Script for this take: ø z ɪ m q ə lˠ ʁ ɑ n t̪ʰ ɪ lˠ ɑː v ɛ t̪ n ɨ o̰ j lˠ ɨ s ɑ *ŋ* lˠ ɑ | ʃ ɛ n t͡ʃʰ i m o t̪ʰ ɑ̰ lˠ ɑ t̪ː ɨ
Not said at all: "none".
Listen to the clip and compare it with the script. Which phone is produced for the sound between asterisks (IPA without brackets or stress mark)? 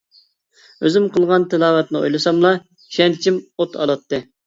m